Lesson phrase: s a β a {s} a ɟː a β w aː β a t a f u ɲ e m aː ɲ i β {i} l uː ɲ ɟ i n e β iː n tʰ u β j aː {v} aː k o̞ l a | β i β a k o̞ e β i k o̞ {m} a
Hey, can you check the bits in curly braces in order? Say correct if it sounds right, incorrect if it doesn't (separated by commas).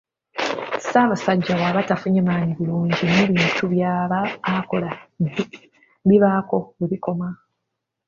correct, correct, incorrect, correct